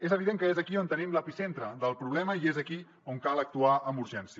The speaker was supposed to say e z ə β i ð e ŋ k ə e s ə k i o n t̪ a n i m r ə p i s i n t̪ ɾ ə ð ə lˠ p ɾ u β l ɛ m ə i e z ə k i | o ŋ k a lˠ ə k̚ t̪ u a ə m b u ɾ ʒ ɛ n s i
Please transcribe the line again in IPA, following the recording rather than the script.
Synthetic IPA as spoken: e z ə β i ð e ŋ k ə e z ə k i o n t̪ ə n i m l ə p i s e n t̪ ɾ ə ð ə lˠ p ɾ u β l ɛ m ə i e z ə k i | o ŋ k a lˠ ə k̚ t̪ u a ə m b u ɾ ʒ ɛ n s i